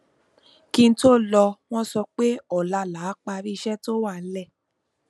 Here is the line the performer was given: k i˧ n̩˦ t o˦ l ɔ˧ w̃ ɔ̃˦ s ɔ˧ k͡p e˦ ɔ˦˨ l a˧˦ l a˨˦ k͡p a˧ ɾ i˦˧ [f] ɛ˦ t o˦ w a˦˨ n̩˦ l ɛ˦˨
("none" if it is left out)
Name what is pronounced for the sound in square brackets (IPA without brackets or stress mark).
ʃ